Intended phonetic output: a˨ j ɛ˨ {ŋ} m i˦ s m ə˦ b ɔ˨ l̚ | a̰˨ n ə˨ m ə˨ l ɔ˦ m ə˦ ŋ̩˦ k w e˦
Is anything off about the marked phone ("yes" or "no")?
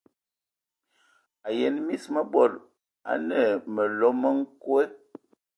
yes